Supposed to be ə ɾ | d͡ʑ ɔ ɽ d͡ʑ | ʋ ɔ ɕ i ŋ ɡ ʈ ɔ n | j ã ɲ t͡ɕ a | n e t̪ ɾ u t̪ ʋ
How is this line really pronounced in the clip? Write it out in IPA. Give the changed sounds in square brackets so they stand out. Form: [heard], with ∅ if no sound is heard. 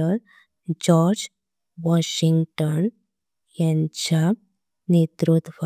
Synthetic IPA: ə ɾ | d͡ʑ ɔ [ɾ] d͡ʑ | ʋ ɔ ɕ i ŋ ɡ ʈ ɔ n | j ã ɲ t͡ɕ a | n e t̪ ɾ u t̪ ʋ